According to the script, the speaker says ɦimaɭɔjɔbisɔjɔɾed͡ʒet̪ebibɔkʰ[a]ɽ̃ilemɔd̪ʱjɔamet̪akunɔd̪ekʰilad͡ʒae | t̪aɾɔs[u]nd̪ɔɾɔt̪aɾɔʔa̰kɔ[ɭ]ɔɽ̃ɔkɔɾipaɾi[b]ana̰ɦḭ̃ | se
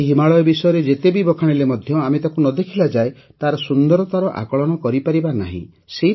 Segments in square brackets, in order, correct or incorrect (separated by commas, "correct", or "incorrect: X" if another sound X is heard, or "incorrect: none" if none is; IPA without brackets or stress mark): correct, correct, correct, correct